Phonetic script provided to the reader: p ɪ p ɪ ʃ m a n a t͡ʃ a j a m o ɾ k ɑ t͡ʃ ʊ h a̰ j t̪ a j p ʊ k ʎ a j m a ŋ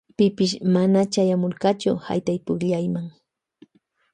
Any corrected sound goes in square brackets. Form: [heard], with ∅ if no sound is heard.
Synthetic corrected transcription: p ɪ p ɪ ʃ m a n a t͡ʃ a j a m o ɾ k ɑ t͡ʃ ʊ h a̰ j t̪ a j p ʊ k ʎ a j m a ŋ

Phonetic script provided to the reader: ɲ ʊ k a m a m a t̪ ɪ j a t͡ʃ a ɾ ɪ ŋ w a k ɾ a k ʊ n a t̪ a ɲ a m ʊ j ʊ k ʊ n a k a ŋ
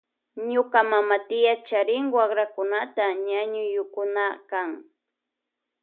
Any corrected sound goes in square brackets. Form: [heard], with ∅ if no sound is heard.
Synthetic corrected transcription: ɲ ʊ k a m a m a t̪ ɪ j a t͡ʃ a ɾ ɪ ŋ w a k ɾ a k ʊ n a t̪ a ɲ a [ɲ] ʊ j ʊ k ʊ n a k a ŋ

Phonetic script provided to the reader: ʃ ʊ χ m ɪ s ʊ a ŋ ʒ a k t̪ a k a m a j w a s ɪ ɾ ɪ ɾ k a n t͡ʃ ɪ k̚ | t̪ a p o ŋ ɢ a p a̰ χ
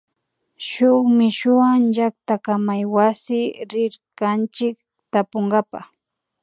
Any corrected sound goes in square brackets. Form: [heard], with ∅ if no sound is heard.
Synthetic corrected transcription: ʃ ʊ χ m ɪ [ʃ] ʊ a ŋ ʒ a k t̪ a k a m a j w a s ɪ ɾ ɪ ɾ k a n t͡ʃ ɪ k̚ | t̪ a p o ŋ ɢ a p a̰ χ

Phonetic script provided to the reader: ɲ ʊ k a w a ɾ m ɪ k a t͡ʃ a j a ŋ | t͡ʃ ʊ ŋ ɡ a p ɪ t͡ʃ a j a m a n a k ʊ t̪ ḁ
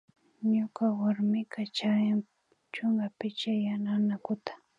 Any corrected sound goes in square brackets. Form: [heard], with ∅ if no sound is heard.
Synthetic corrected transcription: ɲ ʊ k a w a ɾ m ɪ k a t͡ʃ a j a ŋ | t͡ʃ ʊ ŋ ɡ a p ɪ t͡ʃ a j a [n] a n a k ʊ t̪ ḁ

